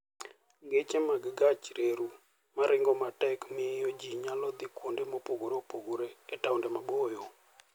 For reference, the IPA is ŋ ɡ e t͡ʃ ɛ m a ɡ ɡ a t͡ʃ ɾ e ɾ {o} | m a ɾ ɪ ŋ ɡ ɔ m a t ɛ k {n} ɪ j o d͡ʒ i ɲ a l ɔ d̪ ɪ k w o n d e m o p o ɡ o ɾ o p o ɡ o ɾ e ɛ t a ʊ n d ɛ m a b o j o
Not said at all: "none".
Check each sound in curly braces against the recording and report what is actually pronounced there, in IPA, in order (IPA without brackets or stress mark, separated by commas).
u, m